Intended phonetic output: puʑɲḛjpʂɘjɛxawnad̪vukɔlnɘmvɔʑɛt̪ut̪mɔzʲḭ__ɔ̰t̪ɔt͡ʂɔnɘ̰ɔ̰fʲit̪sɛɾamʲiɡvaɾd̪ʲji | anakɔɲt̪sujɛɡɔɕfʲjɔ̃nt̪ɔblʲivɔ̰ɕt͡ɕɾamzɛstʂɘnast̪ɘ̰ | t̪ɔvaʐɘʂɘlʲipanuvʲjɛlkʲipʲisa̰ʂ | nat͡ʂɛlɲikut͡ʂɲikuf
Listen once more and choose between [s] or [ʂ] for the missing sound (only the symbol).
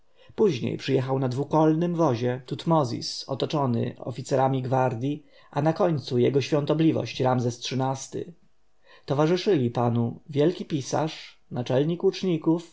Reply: s